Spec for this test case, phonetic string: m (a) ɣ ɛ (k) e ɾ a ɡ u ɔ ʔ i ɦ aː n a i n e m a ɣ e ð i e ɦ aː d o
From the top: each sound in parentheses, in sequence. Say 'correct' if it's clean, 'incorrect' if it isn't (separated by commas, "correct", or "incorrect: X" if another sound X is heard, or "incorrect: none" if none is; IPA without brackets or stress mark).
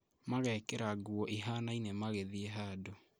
correct, correct